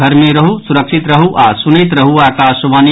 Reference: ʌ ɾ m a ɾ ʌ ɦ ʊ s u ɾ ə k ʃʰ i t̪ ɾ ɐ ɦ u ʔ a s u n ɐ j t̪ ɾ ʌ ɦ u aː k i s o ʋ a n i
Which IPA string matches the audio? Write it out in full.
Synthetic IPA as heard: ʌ ɾ m e ɾ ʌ ɦ u s u ɾ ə k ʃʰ i t̪ ɾ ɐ ɦ u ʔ a s u n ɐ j t̪ ɾ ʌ ɦ u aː k a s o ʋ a n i